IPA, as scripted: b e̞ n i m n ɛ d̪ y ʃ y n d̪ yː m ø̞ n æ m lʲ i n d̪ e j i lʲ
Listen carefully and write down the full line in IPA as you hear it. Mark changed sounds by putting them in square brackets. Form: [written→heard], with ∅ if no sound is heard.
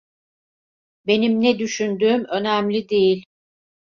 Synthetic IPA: b e̞ n i m n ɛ d̪ y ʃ y n d̪ yː m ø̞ n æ m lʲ i [n→∅] d̪ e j i lʲ